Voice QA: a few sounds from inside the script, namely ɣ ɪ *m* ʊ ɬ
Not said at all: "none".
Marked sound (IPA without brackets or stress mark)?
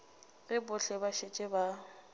b